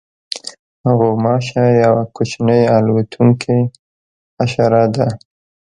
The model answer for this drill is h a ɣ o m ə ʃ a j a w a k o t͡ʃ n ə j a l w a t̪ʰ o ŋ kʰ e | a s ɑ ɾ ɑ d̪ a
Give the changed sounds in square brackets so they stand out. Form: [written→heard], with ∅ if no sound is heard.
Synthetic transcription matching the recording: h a ɣ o m [ə→ɑ] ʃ a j a w a k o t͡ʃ n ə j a l w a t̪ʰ [o→u] ŋ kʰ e | a [s→ʃ] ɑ ɾ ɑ d̪ a